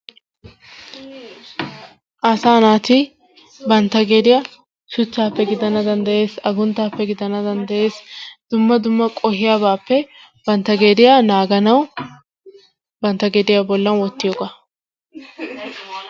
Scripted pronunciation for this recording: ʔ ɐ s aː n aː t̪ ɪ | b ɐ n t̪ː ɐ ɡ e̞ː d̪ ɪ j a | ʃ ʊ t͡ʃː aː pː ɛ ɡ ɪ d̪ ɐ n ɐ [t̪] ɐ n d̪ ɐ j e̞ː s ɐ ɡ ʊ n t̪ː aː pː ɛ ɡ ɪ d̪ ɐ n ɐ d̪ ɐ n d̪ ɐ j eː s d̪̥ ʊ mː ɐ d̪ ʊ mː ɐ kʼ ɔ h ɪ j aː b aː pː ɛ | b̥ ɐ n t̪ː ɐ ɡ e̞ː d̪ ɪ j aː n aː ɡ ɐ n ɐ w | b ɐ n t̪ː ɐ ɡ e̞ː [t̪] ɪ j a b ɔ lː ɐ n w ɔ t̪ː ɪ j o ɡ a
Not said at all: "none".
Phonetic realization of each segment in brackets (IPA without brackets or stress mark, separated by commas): d̪, d̪